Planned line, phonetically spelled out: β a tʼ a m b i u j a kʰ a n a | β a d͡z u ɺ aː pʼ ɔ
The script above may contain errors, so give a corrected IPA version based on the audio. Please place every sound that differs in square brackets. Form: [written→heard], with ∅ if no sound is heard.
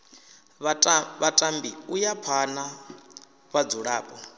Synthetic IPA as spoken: β a tʼ a m b i u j a [kʰ→pʰ] a n a | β a d͡z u ɺ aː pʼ ɔ